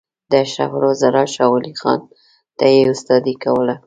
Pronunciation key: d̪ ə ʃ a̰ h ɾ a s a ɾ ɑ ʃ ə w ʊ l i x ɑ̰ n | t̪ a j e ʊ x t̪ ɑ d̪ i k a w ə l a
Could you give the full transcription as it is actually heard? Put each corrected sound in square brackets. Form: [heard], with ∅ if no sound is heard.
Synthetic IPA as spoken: d̪ ə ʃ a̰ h ɾ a [z] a ɾ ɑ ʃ [ɑ] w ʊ l i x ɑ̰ n | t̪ a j e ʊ [s] t̪ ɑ d̪ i k a w ə l a